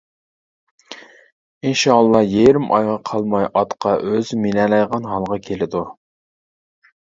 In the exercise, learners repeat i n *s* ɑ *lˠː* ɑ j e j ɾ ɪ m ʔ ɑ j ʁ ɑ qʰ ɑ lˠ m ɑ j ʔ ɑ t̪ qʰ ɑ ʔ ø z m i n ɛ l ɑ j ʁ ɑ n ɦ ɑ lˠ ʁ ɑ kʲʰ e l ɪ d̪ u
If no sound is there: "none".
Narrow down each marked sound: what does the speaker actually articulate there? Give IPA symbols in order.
ʃ, lˠː

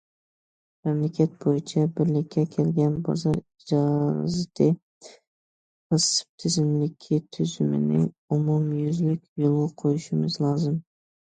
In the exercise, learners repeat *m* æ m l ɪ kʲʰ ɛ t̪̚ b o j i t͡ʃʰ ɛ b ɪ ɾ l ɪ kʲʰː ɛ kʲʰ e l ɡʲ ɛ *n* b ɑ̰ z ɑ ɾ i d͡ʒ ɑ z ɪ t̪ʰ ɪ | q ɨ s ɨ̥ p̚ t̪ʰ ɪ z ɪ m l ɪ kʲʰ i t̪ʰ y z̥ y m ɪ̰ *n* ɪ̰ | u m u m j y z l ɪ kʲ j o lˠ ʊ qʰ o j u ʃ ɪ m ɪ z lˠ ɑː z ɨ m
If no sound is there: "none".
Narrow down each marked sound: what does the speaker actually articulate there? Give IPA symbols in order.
m, n, n

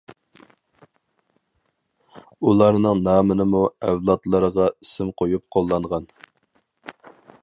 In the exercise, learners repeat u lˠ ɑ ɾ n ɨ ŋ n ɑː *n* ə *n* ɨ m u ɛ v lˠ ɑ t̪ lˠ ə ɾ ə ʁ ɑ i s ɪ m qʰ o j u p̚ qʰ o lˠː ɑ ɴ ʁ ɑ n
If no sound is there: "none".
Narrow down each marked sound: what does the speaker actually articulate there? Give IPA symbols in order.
m, n

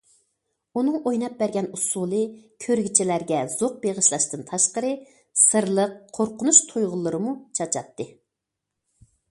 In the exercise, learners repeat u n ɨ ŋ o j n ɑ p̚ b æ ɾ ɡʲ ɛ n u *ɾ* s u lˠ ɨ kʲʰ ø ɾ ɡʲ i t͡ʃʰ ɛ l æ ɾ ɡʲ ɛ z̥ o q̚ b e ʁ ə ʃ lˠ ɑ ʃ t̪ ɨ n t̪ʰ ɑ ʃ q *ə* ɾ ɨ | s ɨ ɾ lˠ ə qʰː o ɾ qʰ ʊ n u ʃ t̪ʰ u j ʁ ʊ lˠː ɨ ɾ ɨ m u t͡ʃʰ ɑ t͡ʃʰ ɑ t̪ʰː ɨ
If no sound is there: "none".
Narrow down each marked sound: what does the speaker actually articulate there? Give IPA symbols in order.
none, ə

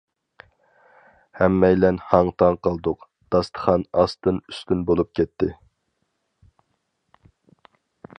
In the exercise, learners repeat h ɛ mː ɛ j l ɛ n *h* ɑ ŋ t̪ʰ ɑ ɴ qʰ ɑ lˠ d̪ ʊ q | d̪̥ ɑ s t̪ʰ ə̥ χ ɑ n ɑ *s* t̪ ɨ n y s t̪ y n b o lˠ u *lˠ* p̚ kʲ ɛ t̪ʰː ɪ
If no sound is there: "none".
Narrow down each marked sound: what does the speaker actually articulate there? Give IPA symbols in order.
h, s, none

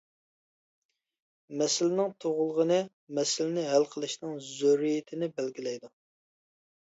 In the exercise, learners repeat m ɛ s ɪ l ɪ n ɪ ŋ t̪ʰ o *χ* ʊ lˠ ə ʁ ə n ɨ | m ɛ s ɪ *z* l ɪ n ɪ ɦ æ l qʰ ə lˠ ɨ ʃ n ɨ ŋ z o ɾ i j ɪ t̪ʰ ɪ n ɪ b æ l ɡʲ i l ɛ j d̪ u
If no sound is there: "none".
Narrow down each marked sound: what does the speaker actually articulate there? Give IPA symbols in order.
ʁ, none

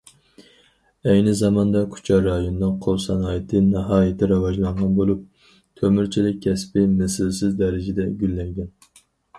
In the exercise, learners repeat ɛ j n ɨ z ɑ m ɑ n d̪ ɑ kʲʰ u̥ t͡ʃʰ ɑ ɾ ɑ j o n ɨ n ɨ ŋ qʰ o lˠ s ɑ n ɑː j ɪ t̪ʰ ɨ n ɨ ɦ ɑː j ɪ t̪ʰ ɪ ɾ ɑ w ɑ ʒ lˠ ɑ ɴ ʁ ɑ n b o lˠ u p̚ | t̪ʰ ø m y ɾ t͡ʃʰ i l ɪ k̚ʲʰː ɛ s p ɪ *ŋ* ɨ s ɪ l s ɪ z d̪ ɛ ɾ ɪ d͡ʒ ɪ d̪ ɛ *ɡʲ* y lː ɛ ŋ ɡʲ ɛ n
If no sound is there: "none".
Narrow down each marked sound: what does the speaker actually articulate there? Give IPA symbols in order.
m, ɡʲ

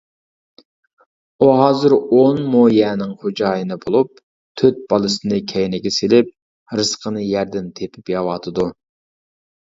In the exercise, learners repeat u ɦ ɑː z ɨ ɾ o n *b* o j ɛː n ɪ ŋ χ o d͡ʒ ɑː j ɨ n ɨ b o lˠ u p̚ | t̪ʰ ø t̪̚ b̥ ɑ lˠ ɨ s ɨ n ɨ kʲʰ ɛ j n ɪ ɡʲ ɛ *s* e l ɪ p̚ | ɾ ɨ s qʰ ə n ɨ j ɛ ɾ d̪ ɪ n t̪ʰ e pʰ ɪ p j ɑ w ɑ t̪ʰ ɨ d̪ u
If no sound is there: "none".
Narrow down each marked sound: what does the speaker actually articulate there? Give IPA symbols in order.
m, s

